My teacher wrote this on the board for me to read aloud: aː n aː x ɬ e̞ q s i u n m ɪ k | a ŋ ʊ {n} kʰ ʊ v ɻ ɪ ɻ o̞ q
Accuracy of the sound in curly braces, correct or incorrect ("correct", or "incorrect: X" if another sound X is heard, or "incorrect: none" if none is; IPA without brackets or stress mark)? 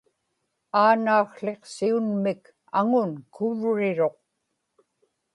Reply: correct